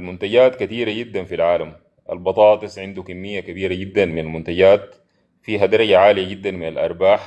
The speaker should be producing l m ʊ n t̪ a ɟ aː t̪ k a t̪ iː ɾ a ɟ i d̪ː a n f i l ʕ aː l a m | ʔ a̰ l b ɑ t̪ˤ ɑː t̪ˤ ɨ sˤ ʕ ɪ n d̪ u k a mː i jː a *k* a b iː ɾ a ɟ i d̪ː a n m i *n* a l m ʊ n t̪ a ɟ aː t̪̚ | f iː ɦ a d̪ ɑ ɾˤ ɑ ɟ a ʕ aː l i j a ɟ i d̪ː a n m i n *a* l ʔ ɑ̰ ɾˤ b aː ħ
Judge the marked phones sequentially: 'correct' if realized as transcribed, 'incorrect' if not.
correct, correct, correct

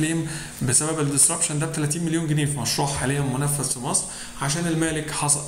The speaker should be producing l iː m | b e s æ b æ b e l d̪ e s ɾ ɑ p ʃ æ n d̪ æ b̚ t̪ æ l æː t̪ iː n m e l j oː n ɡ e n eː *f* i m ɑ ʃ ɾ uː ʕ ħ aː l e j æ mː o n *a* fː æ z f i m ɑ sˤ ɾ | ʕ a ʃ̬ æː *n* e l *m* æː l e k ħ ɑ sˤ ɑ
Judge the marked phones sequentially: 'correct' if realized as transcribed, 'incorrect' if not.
correct, incorrect, correct, correct

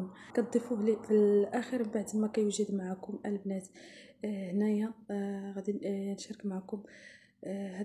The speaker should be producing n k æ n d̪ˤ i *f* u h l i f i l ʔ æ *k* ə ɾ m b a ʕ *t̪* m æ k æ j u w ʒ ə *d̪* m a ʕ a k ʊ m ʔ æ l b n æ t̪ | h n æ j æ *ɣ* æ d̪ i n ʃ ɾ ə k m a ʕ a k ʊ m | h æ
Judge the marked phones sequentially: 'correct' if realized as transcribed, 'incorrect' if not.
correct, incorrect, incorrect, correct, correct

